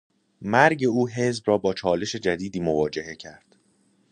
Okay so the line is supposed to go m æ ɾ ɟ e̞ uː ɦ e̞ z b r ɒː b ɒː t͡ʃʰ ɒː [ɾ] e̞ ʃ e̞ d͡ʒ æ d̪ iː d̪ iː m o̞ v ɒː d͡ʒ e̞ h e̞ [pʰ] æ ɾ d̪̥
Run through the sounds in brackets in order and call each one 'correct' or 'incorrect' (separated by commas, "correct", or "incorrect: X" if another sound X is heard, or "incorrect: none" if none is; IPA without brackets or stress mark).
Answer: incorrect: l, incorrect: cʰ